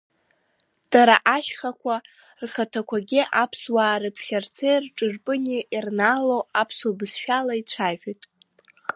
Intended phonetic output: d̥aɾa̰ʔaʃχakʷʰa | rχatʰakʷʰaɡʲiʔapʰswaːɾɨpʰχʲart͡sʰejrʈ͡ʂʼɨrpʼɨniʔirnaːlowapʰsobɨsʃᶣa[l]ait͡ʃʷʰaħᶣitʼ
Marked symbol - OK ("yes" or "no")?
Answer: yes